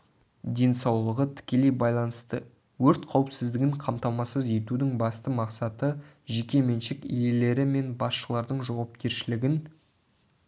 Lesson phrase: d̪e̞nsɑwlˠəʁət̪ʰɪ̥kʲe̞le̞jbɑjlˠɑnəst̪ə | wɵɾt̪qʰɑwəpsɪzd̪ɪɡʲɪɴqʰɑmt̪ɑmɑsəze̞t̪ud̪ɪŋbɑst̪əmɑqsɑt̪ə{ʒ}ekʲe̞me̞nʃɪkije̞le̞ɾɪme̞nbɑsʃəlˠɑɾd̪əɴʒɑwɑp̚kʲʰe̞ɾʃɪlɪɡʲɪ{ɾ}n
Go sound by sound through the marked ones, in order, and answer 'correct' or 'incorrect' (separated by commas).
correct, incorrect